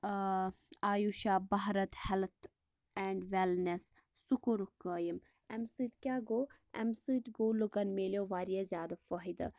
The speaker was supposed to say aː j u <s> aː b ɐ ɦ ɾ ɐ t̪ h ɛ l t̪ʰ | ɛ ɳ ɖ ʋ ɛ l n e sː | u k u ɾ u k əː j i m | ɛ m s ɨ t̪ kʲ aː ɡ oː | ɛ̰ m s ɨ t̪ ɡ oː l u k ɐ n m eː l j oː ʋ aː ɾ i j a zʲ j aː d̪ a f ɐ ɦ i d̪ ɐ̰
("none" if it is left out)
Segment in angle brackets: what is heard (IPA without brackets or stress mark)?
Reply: ʃ